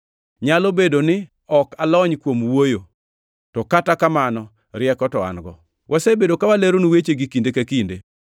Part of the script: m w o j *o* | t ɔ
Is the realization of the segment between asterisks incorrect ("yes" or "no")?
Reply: no